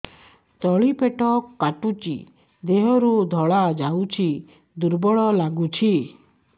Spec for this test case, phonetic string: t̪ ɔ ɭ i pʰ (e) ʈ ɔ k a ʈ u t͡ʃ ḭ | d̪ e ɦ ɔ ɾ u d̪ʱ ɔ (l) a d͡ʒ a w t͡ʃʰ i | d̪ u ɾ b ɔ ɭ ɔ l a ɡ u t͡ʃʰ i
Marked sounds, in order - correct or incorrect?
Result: correct, incorrect: ɭ

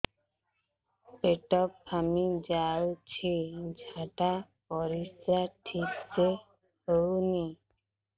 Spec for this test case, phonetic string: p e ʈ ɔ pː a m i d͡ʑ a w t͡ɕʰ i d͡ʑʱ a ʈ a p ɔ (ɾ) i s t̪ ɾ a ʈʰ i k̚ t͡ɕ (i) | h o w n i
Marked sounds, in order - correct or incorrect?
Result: correct, incorrect: e

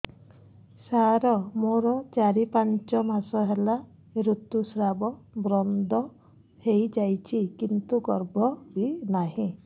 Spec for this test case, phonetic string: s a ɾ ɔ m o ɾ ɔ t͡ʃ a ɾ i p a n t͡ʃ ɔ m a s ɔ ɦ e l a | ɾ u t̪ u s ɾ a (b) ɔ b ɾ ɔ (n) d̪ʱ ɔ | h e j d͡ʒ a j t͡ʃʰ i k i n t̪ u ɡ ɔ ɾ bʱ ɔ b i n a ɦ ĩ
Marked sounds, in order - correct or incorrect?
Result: correct, correct

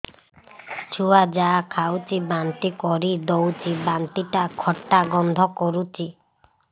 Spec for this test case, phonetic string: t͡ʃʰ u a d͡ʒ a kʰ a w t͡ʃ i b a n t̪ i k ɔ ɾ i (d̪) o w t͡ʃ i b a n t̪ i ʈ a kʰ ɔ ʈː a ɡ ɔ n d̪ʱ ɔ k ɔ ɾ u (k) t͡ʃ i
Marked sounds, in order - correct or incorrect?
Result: correct, incorrect: none

